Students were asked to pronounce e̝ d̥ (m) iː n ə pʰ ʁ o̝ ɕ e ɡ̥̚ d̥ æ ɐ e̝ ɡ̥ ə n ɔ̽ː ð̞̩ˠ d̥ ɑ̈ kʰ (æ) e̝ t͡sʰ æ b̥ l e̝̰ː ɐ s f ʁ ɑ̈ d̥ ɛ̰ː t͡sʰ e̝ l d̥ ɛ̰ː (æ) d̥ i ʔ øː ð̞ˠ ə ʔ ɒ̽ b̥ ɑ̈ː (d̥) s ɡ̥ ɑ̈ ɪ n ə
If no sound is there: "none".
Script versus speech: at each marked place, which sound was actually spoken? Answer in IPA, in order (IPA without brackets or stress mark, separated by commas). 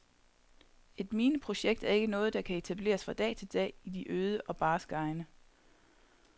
m, æ, i, none